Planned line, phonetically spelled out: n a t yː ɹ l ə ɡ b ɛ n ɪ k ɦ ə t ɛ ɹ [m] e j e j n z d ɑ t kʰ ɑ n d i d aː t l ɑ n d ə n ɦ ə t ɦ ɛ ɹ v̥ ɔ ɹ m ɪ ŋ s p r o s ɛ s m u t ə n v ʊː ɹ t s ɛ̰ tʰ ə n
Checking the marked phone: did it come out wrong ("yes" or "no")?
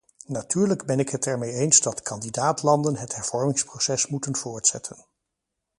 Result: no